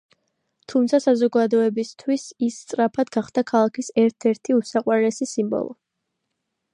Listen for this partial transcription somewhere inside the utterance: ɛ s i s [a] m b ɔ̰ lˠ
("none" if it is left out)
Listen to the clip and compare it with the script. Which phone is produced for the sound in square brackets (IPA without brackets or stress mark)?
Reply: i